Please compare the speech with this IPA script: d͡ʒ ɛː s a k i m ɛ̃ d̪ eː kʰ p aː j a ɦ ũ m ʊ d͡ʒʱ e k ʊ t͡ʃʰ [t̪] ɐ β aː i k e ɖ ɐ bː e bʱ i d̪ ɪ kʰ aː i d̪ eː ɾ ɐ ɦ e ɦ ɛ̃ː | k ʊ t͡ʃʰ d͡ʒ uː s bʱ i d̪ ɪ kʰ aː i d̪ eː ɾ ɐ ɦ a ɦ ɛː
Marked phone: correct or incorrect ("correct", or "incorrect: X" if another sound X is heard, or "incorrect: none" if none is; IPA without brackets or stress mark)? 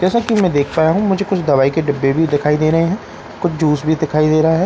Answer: incorrect: d̪